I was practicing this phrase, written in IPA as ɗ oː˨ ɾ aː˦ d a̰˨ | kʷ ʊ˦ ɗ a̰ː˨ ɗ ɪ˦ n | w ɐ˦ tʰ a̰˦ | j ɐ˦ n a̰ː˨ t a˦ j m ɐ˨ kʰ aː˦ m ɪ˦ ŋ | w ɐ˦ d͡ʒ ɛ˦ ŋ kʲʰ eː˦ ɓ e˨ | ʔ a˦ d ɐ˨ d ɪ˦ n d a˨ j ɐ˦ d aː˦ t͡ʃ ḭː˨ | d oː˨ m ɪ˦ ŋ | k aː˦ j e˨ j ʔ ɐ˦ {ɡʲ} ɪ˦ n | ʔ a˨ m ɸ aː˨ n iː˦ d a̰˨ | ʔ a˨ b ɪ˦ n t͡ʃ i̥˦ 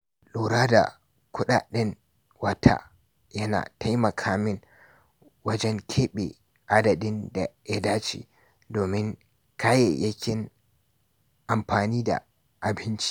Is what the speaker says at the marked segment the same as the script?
no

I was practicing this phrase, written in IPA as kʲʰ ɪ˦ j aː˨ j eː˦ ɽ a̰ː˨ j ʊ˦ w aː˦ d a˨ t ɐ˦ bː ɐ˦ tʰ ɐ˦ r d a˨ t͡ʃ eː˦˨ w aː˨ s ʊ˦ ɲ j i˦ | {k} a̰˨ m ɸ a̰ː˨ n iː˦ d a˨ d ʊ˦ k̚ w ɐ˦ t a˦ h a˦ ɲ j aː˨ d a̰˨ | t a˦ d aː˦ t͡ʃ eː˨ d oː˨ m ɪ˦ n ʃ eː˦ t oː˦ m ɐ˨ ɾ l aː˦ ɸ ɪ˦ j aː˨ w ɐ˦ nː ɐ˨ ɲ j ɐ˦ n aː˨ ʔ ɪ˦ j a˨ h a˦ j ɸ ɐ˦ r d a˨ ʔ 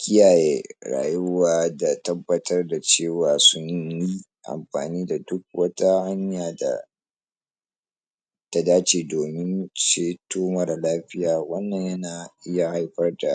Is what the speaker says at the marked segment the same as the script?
no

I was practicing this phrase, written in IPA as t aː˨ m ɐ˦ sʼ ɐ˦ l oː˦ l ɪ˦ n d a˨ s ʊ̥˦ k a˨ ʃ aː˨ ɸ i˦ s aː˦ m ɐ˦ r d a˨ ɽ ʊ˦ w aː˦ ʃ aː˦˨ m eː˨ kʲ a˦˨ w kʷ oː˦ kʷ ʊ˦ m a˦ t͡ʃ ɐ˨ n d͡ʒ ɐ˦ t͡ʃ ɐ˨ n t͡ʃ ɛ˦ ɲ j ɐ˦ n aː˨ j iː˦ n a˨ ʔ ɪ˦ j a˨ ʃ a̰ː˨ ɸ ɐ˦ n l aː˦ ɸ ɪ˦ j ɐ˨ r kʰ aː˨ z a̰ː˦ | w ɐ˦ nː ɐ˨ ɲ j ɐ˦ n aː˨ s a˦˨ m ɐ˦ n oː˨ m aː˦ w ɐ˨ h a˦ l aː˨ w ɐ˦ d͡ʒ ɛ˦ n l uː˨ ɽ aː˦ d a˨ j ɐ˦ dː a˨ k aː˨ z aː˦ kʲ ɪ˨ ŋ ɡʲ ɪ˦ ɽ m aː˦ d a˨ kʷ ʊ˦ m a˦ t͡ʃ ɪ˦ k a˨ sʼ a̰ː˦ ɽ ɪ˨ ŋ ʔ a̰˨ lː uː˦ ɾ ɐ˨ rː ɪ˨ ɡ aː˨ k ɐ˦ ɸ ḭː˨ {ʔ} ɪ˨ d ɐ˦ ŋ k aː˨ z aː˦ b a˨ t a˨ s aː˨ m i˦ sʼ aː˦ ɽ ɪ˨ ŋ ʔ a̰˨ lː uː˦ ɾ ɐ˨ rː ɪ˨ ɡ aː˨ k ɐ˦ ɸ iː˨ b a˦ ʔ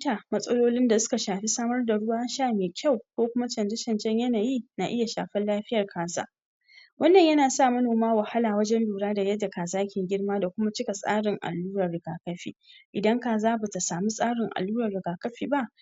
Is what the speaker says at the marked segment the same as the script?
yes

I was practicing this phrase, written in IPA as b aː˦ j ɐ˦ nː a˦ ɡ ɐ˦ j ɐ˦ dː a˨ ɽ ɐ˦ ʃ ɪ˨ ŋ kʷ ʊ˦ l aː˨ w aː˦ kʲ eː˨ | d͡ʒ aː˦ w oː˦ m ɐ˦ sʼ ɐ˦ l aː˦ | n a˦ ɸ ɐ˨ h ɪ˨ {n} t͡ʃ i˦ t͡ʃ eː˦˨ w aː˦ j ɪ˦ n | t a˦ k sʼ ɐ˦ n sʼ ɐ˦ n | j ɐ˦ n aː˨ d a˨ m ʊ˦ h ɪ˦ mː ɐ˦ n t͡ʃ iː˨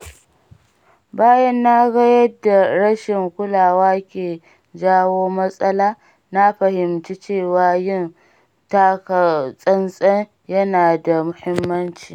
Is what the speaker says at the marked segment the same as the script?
no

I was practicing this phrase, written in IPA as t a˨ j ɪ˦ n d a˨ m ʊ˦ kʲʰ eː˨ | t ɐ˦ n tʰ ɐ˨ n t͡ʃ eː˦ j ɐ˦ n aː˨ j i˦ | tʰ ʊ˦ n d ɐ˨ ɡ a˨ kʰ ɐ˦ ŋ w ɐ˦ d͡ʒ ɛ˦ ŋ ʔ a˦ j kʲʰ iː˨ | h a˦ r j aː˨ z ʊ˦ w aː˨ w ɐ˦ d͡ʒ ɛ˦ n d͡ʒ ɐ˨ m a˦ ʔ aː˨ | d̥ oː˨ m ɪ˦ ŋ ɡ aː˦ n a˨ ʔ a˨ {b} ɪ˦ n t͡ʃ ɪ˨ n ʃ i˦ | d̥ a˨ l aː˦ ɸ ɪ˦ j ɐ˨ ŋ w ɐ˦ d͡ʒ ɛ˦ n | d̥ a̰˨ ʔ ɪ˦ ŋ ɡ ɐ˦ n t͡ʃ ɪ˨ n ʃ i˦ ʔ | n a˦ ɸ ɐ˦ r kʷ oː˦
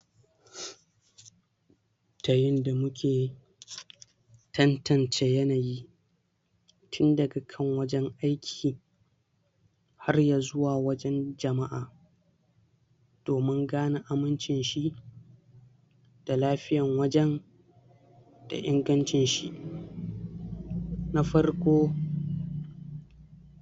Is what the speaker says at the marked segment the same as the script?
no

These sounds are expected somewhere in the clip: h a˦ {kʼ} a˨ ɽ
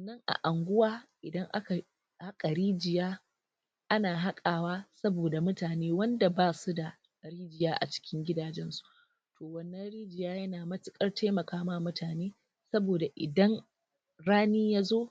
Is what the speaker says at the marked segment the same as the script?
yes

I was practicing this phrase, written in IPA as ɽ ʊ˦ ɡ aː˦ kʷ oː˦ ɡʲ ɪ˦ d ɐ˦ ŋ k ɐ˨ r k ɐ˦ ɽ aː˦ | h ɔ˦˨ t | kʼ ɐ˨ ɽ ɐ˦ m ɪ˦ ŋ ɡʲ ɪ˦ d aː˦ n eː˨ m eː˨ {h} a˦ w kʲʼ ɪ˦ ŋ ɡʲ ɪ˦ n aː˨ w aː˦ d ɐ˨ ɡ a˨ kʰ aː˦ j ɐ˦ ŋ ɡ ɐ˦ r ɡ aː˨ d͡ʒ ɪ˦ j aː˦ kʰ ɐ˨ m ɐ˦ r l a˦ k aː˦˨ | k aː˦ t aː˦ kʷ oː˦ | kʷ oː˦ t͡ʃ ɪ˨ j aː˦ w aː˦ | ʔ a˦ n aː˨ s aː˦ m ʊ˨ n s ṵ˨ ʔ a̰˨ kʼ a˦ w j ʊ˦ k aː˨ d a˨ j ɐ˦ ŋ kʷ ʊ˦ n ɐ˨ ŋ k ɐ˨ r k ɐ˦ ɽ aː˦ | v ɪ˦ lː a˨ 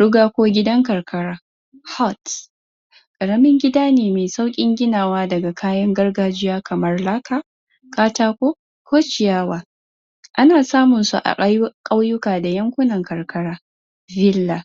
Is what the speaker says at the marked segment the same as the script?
no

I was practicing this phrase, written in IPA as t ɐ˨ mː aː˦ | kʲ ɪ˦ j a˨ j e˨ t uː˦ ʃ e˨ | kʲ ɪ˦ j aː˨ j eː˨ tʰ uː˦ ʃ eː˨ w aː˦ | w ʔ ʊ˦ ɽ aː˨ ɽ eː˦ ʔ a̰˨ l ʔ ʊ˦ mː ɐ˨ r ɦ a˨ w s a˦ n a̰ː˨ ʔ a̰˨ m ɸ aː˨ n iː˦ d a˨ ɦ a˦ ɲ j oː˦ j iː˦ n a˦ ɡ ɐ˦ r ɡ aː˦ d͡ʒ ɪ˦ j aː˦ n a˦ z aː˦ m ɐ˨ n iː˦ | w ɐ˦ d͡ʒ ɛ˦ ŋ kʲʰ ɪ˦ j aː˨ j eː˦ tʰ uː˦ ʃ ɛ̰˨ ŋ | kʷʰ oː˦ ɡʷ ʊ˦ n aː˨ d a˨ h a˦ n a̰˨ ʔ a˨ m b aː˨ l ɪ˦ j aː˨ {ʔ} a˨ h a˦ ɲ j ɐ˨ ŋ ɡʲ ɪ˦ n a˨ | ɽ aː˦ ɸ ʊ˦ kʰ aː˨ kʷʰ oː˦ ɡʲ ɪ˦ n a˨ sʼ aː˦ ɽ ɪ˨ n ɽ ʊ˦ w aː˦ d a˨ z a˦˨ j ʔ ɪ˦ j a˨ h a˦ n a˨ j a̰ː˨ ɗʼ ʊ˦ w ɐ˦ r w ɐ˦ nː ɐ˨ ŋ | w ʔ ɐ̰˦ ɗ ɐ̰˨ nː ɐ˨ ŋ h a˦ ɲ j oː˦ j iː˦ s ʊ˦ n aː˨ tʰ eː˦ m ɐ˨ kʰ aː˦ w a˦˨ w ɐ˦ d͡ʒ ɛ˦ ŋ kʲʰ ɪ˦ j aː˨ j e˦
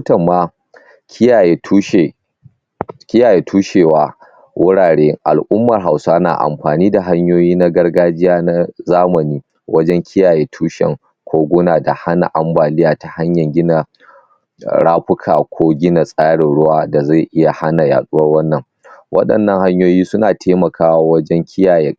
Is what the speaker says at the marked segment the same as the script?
no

